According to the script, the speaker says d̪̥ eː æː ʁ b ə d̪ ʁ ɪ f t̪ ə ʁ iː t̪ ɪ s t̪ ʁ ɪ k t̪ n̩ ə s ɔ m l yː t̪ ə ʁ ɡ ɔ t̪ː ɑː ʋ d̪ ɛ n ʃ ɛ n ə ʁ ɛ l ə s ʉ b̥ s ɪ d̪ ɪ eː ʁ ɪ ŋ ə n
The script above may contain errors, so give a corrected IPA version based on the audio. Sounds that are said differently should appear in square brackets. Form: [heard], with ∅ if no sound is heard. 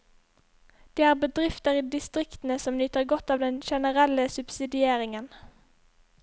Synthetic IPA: d̪̥ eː æː ʁ b ə d̪ ʁ ɪ f t̪ ə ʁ iː [d̪] ɪ s t̪ ʁ ɪ k t̪ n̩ ə s ɔ m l yː t̪ ə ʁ ɡ ɔ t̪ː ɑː ʋ d̪ ɛ n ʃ ɛ n ə ʁ ɛ l ə s ʉ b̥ s ɪ d̪ ɪ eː ʁ ɪ ŋ ə n